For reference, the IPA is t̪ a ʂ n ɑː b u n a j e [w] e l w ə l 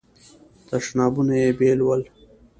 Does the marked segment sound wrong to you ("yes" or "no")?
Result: yes